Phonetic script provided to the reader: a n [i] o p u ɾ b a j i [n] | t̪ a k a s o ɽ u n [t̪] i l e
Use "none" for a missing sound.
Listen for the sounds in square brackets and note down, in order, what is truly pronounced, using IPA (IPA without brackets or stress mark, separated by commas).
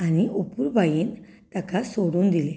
i, n, d̪